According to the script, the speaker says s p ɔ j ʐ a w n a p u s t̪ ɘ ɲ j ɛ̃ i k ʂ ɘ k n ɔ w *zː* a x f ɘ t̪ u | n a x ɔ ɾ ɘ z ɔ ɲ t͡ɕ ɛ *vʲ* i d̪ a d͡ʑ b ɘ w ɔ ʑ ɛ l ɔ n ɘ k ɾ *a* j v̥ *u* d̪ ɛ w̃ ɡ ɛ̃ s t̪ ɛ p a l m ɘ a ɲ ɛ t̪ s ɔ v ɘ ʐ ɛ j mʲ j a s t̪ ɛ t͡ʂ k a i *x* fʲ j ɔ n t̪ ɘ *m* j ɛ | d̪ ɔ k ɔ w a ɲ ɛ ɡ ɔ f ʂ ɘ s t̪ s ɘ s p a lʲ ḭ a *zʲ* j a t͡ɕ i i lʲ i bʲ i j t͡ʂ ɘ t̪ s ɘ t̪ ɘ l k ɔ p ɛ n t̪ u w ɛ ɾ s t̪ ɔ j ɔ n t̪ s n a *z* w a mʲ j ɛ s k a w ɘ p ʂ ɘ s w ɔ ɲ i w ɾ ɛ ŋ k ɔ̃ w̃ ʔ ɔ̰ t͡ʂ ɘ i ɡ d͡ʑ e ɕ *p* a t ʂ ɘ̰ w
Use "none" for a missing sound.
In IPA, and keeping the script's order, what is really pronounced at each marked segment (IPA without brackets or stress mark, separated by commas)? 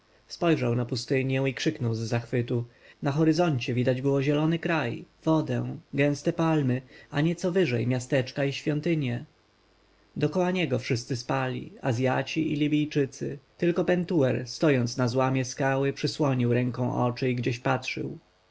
zː, vʲ, a, ɔ, ɕ, ɲ, zʲ, z, p